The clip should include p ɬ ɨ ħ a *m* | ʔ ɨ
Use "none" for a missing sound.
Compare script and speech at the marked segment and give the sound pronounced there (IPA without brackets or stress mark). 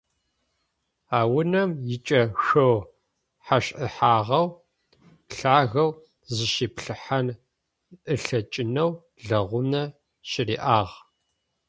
n